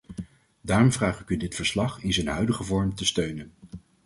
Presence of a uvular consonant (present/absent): present